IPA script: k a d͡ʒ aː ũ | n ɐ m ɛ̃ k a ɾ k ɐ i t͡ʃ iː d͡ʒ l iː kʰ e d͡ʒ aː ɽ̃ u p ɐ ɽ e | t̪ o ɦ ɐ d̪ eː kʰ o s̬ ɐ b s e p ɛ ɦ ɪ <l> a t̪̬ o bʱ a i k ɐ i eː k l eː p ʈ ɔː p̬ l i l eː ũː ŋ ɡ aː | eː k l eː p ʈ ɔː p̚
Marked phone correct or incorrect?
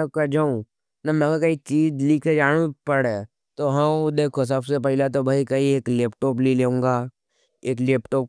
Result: correct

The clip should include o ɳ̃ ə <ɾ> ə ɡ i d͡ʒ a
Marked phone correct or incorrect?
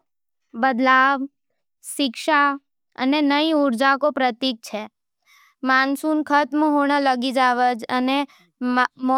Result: incorrect: l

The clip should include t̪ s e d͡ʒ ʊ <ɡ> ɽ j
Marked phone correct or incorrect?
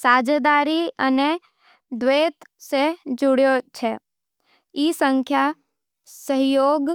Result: incorrect: none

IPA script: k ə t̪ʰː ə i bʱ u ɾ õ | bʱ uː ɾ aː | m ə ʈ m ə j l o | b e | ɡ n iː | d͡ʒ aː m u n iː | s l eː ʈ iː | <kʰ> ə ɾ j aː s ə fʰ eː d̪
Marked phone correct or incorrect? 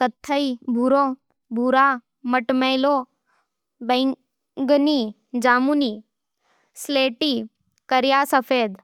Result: incorrect: k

